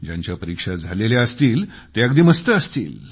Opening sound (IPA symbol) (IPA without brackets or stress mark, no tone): d͡ʑ